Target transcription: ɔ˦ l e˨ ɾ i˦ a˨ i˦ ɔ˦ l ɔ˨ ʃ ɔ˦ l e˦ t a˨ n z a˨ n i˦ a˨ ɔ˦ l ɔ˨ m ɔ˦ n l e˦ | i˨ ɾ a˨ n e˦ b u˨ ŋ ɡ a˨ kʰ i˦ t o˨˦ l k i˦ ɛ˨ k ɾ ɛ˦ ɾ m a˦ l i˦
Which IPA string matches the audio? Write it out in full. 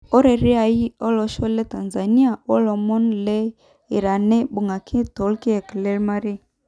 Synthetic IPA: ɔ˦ ɾ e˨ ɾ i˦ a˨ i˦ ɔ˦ l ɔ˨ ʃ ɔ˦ l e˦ t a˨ n z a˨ n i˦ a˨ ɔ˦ l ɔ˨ m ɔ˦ n l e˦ | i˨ ɾ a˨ n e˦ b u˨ ŋ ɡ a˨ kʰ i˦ t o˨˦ l k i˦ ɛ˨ k l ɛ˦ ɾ m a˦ ɾ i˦